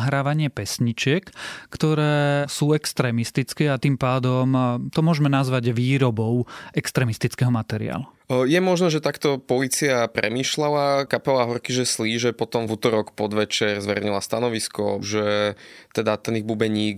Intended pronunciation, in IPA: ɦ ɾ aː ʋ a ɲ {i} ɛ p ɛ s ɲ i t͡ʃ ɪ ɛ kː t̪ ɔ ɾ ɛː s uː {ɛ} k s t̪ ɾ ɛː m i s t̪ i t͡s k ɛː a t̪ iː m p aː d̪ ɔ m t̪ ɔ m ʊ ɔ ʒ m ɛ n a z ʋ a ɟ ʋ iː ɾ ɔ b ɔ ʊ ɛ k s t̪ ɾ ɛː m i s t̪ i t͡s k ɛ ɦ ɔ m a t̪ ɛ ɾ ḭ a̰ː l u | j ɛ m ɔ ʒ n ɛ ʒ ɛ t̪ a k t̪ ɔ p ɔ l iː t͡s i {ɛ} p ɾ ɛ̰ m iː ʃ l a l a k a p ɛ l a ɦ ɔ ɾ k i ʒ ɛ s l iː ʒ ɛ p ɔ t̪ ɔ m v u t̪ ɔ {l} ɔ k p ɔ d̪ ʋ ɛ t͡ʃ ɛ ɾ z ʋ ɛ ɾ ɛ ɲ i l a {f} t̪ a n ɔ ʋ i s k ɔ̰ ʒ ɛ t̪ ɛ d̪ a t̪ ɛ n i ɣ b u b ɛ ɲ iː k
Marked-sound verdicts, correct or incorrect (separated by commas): incorrect, correct, incorrect, incorrect, incorrect